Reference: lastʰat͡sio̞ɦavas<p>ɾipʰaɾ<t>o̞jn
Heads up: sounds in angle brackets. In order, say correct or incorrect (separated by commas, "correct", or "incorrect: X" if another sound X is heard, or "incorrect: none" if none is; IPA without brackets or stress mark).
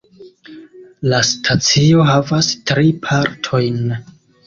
incorrect: t, incorrect: tʰ